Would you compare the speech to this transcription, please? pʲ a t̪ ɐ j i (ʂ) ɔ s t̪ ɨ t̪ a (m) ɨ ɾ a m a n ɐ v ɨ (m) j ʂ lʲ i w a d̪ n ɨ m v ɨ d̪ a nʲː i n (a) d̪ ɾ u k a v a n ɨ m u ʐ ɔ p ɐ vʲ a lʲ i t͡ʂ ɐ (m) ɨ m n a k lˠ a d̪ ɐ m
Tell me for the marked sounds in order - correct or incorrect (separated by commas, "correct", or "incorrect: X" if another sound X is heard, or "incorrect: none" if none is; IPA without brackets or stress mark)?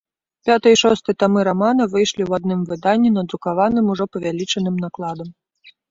correct, correct, incorrect: none, incorrect: ɐ, incorrect: n